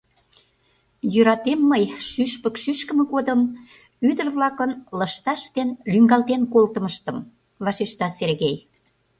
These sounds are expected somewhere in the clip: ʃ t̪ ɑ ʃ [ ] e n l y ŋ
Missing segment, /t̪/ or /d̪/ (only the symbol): t̪